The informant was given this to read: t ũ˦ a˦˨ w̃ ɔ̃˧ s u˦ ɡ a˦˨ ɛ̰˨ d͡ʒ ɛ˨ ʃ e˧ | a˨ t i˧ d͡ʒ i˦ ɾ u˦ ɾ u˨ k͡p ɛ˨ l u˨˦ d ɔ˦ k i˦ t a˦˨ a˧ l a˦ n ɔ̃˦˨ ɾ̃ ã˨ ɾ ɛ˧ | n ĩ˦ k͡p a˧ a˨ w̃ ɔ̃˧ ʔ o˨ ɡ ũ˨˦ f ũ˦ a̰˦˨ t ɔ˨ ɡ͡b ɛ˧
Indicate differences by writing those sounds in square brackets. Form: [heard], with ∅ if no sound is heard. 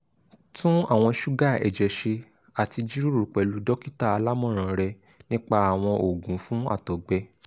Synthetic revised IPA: t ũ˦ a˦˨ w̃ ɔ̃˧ [ʃ] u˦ ɡ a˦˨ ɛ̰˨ d͡ʒ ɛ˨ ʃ e˧ | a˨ t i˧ d͡ʒ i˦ ɾ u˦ ɾ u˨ k͡p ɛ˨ l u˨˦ d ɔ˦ k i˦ t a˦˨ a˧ l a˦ [m] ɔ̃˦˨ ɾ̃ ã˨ ɾ ɛ˧ | n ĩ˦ k͡p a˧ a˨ w̃ ɔ̃˧ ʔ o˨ ɡ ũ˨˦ f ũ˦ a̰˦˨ t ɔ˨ ɡ͡b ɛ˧